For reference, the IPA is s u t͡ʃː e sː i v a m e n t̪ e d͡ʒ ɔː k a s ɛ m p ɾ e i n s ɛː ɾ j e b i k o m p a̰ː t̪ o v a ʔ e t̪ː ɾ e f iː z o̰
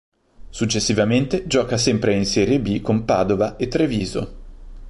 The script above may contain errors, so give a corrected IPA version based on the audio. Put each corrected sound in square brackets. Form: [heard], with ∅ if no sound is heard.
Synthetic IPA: s u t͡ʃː e sː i v a m e n t̪ e d͡ʒ ɔː k a s ɛ m p ɾ e i n s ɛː ɾ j e b i k o m p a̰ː [d̪] o v a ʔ e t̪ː ɾ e [v] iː z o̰